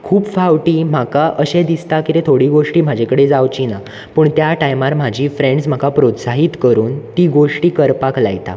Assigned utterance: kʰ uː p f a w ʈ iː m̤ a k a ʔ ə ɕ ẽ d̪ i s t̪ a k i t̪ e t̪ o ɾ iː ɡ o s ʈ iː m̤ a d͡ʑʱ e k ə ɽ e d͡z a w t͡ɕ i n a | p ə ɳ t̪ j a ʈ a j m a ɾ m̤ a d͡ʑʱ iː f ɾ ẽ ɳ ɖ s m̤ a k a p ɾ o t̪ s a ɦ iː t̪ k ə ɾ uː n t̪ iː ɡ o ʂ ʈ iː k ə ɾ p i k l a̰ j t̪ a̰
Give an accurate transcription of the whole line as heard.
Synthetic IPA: kʰ uː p f a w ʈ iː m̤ a k a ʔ ə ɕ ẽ d̪ i s t̪ a k i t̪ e t̪ʰ o ɽ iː ɡ o ʂ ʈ iː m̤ a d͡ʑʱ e k ə ɽ e d͡z a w t͡ɕ i n a | p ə ɳ t̪ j a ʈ a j m a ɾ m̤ a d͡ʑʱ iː f ɾ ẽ ɳ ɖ s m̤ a k a p ɾ o t̪ s a ɦ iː t̪ k ə ɾ uː n t̪ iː ɡ o ʂ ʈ iː k ə ɾ p a k l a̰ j t̪ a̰